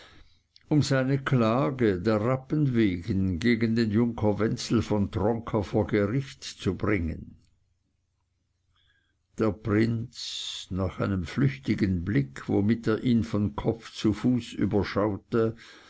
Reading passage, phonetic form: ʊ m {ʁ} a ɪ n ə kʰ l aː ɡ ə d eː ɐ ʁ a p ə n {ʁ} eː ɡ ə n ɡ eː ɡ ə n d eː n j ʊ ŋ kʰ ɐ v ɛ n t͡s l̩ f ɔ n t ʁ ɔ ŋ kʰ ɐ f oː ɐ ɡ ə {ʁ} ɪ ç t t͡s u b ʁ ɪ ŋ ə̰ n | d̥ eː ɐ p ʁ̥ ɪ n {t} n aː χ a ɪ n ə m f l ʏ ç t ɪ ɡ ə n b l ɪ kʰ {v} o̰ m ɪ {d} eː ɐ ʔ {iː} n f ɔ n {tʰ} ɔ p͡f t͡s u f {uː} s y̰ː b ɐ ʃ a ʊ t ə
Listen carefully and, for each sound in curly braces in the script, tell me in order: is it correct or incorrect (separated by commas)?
incorrect, incorrect, correct, incorrect, correct, incorrect, correct, incorrect, correct